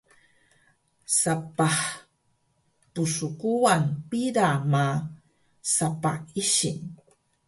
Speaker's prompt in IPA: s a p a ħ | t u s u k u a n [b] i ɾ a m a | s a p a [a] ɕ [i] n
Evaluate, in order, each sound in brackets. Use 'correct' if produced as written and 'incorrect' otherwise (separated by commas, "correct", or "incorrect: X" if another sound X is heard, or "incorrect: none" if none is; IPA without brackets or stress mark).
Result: incorrect: p, incorrect: i, correct